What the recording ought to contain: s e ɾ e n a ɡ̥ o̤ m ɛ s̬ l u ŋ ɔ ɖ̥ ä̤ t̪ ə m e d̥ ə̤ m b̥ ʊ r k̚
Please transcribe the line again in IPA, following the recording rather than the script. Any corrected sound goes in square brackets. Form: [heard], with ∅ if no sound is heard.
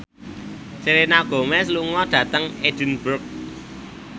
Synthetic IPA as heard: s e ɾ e n a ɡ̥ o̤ m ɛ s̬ l u ŋ ɔ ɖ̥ ä̤ t̪ ə [ŋ] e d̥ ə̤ [n] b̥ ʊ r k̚